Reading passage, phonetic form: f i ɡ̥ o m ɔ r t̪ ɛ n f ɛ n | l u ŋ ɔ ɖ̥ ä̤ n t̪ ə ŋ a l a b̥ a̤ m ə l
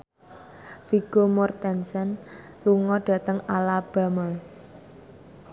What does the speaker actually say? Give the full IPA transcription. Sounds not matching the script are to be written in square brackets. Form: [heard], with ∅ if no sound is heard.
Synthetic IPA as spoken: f i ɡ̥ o m ɔ r t̪ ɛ n [s] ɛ n | l u ŋ ɔ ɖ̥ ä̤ [∅] t̪ ə ŋ a l a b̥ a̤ m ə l

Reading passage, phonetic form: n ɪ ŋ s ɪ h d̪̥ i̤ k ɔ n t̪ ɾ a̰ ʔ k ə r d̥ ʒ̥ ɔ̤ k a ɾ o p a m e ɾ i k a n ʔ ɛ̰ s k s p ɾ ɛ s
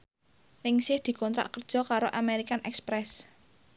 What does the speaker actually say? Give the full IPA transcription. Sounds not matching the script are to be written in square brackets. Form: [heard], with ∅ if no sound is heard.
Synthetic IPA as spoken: n ɪ ŋ s ɪ h d̪̥ i̤ k ɔ n t̪ ɾ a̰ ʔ k ə r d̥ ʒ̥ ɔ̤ k a ɾ o [ʔ] a m e ɾ i k a n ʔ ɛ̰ [∅] k s p ɾ ɛ s

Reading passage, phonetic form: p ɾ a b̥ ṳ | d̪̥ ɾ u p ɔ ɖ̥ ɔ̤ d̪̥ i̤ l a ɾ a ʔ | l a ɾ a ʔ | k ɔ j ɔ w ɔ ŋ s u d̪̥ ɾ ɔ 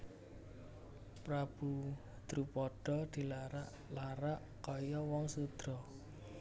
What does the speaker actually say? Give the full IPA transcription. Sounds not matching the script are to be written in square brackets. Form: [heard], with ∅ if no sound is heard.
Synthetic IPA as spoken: p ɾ a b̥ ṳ | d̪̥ ɾ u p ɔ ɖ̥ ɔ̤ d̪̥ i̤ l a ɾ a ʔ | l a ɾ a ʔ | k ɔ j ɔ w ɔ ŋ s u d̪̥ ɾ ɔ

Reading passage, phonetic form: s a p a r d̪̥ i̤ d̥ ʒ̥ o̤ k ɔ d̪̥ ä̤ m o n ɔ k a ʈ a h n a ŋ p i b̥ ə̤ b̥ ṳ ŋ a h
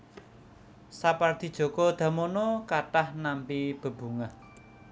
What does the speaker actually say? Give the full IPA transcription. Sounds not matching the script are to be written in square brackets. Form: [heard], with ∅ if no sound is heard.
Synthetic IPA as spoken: s a p a r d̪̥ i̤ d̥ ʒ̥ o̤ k ɔ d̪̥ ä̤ m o n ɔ k a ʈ a h n a [m] p i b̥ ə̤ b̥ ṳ ŋ a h

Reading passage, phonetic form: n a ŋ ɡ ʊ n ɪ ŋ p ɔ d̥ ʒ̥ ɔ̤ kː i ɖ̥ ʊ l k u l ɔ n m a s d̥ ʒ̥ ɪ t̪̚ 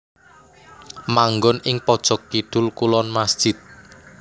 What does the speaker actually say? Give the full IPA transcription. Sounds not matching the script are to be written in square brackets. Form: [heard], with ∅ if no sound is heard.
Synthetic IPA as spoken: [m] a ŋ ɡ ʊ n ɪ ŋ p ɔ d̥ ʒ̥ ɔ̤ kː i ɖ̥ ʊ l k u l ɔ n m a s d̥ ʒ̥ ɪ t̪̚

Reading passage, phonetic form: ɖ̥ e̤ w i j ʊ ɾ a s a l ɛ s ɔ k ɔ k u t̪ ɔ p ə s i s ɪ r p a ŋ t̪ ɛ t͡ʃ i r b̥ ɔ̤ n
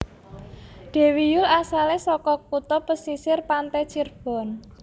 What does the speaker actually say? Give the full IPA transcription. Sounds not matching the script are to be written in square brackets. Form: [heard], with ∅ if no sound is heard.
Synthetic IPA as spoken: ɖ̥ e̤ w i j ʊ [l] a s a l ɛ s ɔ k ɔ k u t̪ ɔ p ə s i s ɪ r p a [n] t̪ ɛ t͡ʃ i r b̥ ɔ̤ n

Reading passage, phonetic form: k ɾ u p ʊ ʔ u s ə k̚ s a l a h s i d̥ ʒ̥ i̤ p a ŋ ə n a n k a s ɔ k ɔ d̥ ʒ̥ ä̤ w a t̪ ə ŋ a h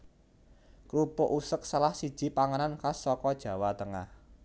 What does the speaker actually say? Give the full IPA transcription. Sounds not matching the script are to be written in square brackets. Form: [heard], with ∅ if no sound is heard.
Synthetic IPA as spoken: k ɾ u p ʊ ʔ u s ə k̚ s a l a h s i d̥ ʒ̥ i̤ p a ŋ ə n a n k a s ɔ k ɔ d̥ ʒ̥ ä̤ w a t̪ ə ŋ a h

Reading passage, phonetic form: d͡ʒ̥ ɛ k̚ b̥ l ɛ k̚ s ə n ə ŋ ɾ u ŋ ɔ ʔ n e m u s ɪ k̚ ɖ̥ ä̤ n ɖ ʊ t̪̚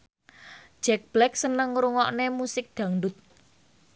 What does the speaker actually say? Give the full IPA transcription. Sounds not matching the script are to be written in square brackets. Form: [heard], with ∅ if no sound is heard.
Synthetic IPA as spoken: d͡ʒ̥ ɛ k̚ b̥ l ɛ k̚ s ə n ə ŋ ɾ u ŋ ɔ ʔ n e m u s ɪ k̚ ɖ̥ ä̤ [ŋ] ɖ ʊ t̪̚

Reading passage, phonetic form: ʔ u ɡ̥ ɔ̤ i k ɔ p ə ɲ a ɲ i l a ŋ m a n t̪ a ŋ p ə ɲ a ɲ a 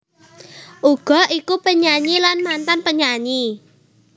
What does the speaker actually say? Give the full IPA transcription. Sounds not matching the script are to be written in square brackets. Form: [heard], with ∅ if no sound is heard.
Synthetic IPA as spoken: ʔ u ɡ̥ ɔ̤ i k [u] p ə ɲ a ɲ i l a [n] m a n t̪ a [n] p ə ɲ a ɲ [i]

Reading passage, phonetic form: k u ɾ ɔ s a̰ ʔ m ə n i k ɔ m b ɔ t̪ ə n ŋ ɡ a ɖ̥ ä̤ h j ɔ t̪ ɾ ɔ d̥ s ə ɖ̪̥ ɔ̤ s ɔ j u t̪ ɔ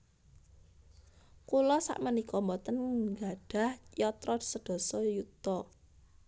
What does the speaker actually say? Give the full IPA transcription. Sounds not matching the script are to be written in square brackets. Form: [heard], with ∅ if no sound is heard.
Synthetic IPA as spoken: k u [l] ɔ s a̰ ʔ m ə n i k ɔ m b ɔ t̪ ə n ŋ ɡ a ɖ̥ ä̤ h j ɔ t̪ ɾ ɔ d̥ s ə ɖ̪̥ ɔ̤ s ɔ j u t̪ ɔ

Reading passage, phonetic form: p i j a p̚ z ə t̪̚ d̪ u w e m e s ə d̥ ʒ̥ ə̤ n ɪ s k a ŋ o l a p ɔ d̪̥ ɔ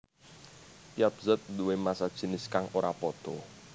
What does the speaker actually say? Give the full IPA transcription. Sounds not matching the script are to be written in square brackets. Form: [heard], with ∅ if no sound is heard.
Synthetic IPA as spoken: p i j a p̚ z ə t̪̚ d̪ u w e m [a] s [a] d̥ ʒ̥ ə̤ n ɪ s k a ŋ o [ɾ] a p ɔ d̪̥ ɔ

